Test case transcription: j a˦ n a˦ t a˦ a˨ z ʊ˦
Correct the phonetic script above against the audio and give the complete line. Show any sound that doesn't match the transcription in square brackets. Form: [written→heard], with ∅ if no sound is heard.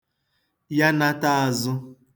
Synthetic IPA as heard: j a˦ n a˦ t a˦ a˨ z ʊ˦